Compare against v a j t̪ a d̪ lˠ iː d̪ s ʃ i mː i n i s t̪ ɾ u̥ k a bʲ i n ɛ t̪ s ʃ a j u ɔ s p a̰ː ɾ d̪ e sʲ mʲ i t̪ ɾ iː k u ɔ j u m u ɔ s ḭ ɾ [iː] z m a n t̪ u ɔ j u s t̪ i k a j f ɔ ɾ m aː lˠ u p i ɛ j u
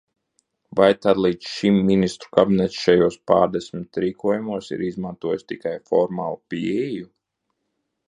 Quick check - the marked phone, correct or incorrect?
incorrect